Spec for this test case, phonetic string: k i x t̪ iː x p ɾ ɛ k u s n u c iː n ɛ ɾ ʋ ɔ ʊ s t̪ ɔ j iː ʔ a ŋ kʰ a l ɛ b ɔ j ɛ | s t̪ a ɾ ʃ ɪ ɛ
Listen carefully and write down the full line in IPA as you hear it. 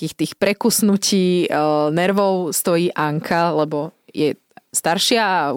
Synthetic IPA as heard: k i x t̪ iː x p ɾ ɛ k u s n u c iː n ɛ ɾ ʋ ɔ ʊ s t̪ ɔ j iː ʔ a ŋ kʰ a l ɛ b ɔ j ɛ | s t̪ a ɾ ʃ ɪ a